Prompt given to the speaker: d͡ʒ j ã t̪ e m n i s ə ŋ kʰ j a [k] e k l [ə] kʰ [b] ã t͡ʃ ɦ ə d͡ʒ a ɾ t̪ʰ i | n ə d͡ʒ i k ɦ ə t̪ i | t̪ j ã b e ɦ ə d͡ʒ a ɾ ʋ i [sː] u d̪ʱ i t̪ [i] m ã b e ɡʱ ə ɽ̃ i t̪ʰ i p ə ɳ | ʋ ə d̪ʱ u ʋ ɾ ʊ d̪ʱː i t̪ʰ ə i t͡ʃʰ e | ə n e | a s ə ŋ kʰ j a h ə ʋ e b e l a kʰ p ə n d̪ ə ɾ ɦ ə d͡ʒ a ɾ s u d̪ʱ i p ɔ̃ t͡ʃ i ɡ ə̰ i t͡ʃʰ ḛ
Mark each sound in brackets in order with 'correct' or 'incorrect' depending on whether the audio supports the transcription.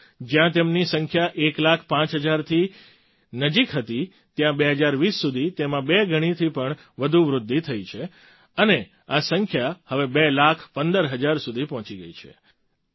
incorrect, incorrect, incorrect, correct, incorrect

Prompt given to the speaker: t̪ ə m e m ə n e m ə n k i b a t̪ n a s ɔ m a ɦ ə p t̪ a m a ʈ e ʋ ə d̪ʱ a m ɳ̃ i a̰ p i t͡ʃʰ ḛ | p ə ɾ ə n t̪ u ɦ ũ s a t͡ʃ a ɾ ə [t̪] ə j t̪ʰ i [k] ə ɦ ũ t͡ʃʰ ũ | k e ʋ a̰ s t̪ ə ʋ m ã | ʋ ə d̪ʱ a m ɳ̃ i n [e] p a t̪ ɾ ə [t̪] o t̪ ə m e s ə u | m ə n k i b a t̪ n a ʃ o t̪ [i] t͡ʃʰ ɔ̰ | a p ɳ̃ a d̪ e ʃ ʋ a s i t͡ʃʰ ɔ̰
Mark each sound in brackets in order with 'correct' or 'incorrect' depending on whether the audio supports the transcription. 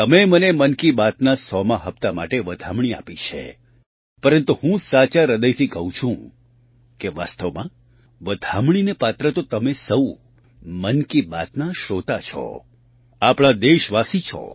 incorrect, correct, correct, correct, incorrect

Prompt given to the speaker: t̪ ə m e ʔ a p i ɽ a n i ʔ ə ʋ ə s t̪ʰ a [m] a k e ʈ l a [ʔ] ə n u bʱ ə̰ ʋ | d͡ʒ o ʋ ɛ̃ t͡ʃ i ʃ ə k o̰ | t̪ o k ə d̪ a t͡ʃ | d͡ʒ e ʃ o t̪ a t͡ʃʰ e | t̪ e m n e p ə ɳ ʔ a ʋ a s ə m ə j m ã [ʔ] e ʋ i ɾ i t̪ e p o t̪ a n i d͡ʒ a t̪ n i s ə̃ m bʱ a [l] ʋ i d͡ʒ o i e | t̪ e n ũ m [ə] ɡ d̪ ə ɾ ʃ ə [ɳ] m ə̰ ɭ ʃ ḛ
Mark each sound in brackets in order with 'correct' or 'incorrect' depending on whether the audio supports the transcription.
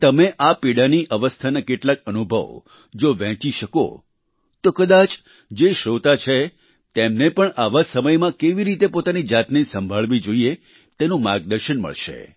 incorrect, incorrect, incorrect, incorrect, incorrect, incorrect

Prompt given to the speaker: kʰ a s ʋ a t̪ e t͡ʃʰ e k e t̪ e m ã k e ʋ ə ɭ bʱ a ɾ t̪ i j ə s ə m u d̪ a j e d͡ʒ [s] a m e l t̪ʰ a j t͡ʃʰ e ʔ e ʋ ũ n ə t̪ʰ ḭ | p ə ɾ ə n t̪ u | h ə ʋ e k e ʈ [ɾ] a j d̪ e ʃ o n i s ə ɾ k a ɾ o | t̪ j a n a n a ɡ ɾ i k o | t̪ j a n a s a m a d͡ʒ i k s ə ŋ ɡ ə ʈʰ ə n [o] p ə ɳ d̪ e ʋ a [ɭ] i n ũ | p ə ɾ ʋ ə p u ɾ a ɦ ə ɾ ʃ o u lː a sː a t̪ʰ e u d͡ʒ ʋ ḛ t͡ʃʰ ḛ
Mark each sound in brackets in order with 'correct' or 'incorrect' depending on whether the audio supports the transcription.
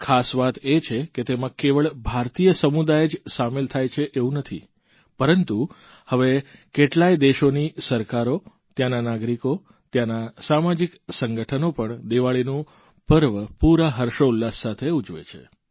correct, incorrect, correct, correct

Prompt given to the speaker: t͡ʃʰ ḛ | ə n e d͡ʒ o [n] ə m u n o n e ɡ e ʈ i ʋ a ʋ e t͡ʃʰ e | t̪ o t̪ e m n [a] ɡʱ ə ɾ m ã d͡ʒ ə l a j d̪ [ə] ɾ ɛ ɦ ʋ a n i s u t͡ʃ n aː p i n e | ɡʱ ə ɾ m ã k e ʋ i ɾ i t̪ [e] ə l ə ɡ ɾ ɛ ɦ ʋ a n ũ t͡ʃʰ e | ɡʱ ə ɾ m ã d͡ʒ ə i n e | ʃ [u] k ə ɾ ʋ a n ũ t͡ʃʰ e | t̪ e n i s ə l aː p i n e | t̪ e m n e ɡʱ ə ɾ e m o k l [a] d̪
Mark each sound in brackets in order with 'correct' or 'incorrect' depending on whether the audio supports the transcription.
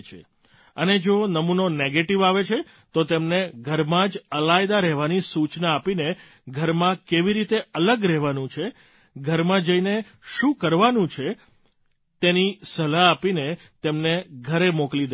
correct, incorrect, incorrect, correct, incorrect, incorrect

